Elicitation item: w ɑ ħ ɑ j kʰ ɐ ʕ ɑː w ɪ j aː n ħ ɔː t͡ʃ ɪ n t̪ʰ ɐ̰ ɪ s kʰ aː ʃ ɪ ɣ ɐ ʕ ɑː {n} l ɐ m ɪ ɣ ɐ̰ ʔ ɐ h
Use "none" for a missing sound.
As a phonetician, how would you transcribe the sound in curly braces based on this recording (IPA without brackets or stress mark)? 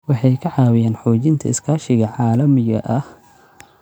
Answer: none